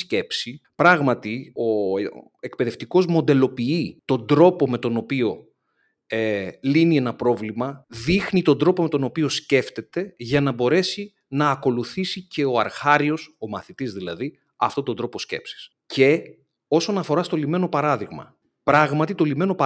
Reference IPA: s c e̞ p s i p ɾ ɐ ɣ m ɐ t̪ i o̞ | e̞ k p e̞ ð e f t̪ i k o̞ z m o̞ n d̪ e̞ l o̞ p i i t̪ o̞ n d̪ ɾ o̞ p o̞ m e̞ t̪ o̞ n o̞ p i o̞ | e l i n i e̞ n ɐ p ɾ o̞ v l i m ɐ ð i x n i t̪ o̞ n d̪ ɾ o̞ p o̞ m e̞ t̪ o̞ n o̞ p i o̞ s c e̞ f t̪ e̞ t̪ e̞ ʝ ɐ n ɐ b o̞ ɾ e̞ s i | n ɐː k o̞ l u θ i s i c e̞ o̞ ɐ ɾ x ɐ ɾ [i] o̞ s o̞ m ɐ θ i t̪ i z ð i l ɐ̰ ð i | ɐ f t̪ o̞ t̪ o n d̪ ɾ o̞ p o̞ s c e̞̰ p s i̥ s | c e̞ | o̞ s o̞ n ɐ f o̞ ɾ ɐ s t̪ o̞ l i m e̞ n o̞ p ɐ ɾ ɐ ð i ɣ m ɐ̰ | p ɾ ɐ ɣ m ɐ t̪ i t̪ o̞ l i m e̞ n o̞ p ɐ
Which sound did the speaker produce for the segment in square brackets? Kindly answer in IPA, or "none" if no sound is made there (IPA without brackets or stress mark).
i